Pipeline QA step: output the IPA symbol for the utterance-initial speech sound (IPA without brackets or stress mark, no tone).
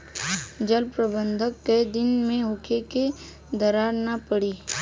d͡ʒ